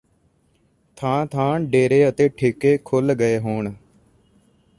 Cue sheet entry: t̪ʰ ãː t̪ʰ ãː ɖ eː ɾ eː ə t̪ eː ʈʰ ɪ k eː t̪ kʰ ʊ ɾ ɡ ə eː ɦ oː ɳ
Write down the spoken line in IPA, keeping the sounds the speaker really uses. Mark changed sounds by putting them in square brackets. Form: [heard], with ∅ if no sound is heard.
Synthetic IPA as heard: t̪ʰ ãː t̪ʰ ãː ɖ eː ɾ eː ə t̪ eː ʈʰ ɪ k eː [∅] kʰ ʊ [l] ɡ ə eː ɦ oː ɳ